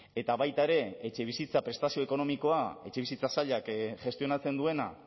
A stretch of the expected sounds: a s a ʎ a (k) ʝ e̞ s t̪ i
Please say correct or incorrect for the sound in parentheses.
correct